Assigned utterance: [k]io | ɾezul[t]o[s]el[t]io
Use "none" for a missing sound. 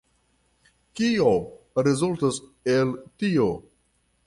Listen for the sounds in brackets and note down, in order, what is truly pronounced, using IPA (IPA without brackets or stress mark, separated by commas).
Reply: k, t, s, t